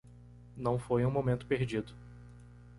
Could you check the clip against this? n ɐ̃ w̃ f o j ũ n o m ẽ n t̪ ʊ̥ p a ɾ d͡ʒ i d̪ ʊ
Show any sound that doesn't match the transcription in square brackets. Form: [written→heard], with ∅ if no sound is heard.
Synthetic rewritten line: n ɐ̃ w̃ f o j ũ [n→m] o m ẽ n t̪ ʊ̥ p [a→e] ɾ d͡ʒ i d̪ ʊ